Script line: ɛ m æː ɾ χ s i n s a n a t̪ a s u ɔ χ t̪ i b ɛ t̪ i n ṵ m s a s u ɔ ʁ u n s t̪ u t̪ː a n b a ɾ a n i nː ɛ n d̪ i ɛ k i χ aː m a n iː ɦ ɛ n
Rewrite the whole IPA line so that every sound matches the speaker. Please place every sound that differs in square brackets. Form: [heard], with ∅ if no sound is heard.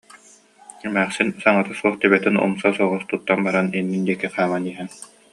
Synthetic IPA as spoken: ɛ m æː [∅] χ s i n s a [ŋ] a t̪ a s u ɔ χ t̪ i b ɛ t̪ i n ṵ m s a s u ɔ ʁ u [∅] s t̪ u t̪ː a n b a ɾ a n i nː [i] n d̪ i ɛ k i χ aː m a n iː ɦ ɛ n